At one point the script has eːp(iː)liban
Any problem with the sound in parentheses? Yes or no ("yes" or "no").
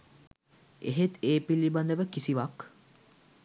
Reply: yes